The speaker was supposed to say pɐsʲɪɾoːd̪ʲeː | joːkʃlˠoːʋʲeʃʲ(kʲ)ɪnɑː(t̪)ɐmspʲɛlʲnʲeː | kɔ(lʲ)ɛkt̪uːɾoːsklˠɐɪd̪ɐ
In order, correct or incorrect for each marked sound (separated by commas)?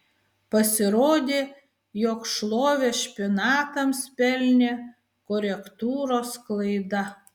incorrect, correct, incorrect